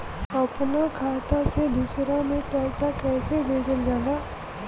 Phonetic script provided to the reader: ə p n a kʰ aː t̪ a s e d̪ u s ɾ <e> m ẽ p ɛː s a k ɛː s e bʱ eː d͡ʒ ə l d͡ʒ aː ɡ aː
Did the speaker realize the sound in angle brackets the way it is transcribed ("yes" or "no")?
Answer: no